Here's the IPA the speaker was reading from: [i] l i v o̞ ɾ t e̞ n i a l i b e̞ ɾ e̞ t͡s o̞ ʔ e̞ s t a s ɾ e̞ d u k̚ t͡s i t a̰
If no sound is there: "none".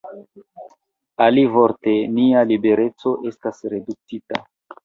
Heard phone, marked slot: a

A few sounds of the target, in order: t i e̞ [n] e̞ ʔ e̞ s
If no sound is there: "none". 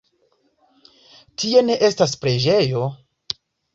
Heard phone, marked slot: n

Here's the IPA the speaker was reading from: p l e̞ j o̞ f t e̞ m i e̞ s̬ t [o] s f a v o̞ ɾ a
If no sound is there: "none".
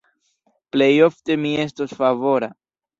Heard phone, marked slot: o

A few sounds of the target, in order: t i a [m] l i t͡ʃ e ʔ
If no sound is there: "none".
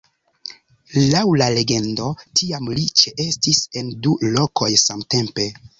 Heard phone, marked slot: m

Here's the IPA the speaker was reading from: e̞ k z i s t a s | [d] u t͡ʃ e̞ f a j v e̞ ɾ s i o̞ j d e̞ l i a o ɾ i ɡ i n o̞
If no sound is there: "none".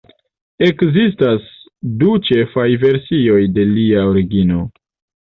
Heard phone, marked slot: d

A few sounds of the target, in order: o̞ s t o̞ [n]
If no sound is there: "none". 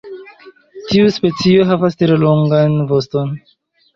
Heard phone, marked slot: n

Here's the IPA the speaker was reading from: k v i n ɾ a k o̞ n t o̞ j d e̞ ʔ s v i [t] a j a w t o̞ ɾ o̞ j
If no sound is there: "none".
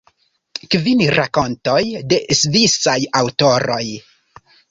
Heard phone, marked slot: s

